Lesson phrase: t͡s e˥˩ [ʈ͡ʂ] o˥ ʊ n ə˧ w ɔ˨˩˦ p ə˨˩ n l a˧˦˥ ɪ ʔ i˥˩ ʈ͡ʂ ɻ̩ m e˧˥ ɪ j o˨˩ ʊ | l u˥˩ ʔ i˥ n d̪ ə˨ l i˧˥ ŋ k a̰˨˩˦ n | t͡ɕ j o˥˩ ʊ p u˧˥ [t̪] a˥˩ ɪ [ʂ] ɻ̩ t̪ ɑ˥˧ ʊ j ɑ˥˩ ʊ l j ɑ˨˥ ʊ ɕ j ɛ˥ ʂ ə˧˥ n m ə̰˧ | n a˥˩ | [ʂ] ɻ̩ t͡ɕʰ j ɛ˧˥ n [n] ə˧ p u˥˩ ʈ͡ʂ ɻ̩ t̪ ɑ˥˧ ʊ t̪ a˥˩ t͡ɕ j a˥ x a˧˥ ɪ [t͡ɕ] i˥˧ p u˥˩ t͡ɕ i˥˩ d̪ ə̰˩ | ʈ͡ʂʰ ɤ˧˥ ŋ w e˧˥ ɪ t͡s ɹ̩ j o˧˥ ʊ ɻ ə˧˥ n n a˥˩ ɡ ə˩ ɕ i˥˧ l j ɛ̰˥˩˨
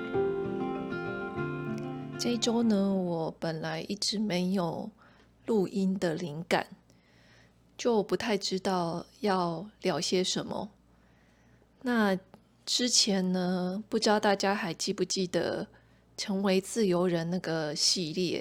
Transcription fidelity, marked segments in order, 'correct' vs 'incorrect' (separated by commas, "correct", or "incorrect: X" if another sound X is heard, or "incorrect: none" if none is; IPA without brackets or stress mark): correct, incorrect: t̪ʰ, incorrect: ʈ͡ʂ, incorrect: ʈ͡ʂ, correct, correct